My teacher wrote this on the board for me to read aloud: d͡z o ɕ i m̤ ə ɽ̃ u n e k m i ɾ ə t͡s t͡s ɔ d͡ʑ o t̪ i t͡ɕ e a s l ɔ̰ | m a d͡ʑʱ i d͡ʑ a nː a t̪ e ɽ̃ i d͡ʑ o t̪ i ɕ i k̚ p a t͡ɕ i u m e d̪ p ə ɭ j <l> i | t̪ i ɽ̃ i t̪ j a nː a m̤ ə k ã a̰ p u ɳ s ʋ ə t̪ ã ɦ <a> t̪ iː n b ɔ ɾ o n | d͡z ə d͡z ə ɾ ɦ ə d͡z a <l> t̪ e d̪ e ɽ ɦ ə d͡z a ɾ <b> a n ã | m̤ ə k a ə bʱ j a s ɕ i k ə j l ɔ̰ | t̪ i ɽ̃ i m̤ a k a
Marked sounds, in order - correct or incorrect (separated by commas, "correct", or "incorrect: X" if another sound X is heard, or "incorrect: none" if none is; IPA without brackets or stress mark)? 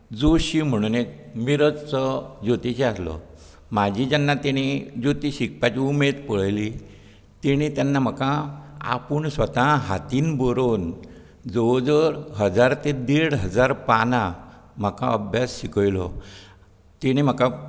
correct, correct, incorrect: ɾ, incorrect: p